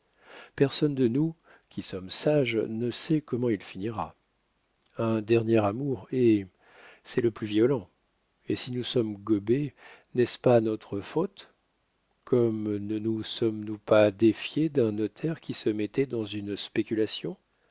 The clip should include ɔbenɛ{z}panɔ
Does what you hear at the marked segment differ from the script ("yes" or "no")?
yes